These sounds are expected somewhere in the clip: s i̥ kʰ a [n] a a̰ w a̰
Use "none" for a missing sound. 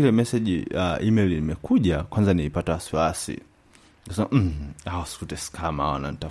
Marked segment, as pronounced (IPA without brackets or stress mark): m